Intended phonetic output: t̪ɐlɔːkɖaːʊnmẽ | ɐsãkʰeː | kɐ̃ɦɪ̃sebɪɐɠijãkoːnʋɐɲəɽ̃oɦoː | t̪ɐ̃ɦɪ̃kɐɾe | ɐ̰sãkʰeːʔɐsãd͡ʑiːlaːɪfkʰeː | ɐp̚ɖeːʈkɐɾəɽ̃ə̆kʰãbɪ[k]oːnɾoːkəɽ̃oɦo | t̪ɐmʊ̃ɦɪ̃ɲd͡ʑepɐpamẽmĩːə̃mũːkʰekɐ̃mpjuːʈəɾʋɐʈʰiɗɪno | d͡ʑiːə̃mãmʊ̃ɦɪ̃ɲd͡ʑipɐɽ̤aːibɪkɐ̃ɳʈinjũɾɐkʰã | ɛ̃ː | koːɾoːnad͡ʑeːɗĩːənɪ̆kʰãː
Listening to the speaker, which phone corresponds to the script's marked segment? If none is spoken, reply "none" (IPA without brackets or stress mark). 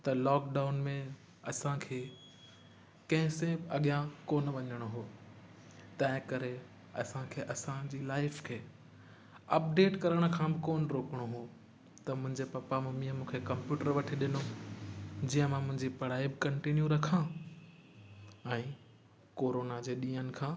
k